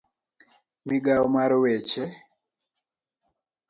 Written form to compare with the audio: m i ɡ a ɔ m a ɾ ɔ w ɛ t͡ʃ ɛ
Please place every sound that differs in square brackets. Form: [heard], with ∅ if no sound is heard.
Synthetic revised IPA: m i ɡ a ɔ m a ɾ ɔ w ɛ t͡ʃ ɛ